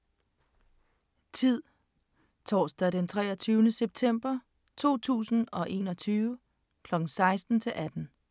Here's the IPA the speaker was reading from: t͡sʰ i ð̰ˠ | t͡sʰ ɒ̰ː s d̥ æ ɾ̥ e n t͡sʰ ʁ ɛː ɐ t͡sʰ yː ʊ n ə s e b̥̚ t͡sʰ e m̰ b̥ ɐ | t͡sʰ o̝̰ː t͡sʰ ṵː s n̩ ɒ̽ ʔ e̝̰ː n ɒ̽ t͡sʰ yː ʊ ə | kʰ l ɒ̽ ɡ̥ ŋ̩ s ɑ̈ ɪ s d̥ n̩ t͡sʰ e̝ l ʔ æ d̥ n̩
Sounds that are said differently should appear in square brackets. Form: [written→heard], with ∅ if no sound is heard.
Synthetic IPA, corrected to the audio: t͡sʰ i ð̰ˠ | t͡sʰ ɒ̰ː s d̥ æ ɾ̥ e n t͡sʰ ʁ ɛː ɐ t͡sʰ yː ʊ n ə s e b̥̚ t͡sʰ e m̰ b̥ ɐ | t͡sʰ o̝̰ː t͡sʰ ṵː s n̩ ɒ̽ ʔ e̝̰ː n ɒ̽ t͡sʰ yː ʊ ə | kʰ l ɒ̽ ɡ̥ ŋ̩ s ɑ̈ ɪ s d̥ n̩ t͡sʰ e̝ l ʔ æ d̥ n̩